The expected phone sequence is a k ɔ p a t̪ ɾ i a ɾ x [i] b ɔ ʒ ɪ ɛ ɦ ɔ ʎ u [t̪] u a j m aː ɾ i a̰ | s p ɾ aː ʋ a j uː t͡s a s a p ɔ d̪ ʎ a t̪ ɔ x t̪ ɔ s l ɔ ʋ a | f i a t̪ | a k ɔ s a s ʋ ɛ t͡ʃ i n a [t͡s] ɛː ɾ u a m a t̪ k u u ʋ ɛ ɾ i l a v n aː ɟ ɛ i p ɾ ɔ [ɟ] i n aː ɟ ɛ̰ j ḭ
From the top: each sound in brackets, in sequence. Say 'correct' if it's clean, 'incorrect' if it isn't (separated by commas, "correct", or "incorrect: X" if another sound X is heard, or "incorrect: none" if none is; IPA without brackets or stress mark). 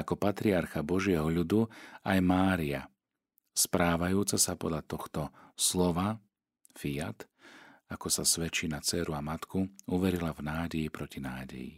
incorrect: a, incorrect: d̪, correct, incorrect: c